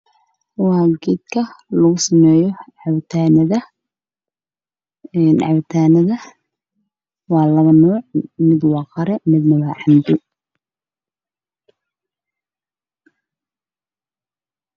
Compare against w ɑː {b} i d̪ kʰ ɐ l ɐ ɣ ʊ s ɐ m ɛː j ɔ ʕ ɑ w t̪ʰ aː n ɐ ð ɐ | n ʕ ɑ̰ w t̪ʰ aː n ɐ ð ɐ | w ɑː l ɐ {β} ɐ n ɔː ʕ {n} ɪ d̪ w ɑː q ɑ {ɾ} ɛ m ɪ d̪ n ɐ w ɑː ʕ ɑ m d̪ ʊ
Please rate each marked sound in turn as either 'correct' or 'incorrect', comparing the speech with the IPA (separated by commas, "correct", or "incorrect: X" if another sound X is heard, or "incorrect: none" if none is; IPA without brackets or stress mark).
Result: incorrect: ɡ, correct, incorrect: m, correct